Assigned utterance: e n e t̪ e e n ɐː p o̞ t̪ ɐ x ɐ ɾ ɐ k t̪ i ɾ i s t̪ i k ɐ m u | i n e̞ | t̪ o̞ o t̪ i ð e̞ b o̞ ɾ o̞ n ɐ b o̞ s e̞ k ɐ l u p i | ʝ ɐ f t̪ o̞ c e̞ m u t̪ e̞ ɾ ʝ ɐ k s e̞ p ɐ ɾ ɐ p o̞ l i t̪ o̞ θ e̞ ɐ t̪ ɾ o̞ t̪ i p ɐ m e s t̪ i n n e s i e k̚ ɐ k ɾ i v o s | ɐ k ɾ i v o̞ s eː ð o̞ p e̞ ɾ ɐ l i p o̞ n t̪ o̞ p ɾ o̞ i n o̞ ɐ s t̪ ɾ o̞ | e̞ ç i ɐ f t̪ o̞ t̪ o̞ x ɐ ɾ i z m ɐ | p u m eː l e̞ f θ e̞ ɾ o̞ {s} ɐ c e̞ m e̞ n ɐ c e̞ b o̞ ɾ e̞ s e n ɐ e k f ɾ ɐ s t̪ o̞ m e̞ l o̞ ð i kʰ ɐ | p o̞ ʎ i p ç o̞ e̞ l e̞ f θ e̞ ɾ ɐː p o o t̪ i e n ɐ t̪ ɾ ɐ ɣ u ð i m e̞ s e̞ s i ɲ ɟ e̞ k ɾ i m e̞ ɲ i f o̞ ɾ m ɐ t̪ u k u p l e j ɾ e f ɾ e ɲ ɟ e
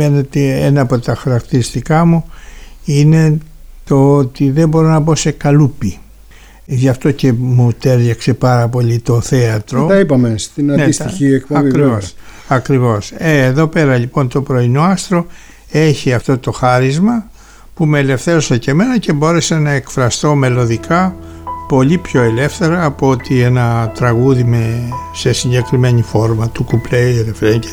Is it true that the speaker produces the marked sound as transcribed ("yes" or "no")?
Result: yes